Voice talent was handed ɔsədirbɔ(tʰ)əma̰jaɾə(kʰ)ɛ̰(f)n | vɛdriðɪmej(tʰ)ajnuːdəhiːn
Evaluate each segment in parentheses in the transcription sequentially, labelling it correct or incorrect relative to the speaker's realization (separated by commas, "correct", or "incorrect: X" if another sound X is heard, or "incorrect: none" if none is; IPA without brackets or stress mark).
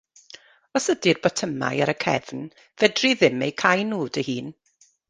correct, correct, incorrect: v, incorrect: kʰ